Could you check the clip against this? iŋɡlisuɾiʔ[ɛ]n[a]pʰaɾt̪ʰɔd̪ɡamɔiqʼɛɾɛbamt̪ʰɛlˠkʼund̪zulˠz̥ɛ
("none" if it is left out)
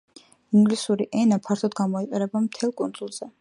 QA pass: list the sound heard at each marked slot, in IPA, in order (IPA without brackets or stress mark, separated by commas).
ɛ, a